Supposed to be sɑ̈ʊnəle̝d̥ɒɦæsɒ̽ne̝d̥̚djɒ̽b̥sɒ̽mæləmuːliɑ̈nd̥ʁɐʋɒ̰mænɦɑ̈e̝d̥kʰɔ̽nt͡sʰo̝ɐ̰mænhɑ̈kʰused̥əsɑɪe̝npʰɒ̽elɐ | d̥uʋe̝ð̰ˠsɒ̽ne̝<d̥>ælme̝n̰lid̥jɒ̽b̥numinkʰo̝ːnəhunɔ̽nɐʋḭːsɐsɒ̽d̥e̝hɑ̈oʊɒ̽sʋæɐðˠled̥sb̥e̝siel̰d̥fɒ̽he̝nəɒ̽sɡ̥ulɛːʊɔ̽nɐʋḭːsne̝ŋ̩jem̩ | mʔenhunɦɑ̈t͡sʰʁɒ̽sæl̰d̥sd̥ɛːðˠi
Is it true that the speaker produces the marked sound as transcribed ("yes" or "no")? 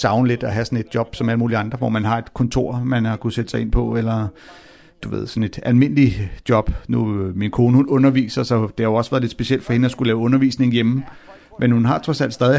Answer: yes